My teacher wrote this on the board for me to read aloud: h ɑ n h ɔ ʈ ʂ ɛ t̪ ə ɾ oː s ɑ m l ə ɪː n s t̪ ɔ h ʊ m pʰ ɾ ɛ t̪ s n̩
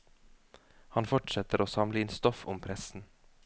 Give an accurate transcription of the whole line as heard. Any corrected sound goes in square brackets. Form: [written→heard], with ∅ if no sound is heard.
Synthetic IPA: h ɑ n [h→f] ɔ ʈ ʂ ɛ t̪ ə ɾ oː s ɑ m l ə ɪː n s t̪ ɔ [h→f] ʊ m pʰ ɾ ɛ [t̪→∅] s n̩